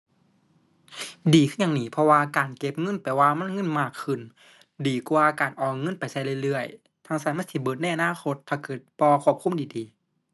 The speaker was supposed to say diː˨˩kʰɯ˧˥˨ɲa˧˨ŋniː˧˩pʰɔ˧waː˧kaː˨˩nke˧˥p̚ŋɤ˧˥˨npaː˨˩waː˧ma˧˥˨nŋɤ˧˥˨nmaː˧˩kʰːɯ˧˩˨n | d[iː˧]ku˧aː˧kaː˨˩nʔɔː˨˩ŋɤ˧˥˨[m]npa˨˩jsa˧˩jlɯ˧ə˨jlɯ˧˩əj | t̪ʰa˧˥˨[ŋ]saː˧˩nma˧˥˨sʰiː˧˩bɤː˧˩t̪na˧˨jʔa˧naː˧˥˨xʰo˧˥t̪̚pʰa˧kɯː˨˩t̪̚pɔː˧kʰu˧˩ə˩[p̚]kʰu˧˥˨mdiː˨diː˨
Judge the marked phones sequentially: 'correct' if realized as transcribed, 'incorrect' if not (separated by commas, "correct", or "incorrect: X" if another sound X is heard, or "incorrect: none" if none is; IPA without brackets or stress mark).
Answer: incorrect: iː˨˩, incorrect: none, correct, correct